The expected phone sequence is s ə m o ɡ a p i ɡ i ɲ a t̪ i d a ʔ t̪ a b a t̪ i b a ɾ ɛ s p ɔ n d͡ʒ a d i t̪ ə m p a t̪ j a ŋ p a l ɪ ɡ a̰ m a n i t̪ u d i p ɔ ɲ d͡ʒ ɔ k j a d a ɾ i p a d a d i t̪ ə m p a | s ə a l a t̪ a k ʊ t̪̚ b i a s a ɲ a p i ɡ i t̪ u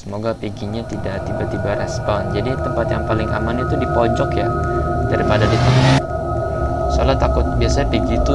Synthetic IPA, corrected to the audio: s ə m o ɡ a p i ɡ i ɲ a t̪ i d a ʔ t̪ i b a t̪ i b a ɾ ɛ s p ɔ n d͡ʒ a d i t̪ ə m p a t̪ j a ŋ p a l ɪ ŋ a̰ m a n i t̪ u d i p ɔ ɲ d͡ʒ ɔ k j a d a ɾ i p a d a d i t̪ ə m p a | s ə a l a t̪ a k ʊ t̪̚ b i a s a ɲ a p i ɡ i t̪ u